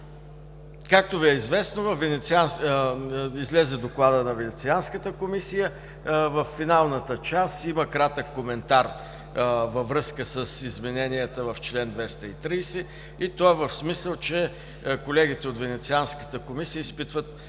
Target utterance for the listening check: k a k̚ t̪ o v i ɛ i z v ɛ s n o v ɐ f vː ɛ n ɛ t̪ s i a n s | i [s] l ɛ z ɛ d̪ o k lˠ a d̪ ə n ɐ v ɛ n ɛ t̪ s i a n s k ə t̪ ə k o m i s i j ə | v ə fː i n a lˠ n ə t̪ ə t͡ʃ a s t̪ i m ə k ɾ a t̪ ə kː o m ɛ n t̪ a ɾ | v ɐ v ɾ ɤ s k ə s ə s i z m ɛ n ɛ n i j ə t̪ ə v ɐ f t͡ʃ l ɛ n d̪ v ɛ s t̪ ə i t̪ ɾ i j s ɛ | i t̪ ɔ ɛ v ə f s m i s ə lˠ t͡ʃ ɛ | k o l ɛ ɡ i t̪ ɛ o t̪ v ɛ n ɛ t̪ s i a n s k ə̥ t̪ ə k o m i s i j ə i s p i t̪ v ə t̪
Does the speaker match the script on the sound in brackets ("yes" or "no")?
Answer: no